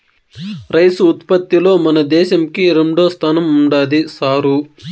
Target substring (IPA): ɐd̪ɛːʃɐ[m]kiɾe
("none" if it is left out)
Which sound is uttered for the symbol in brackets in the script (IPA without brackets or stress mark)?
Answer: m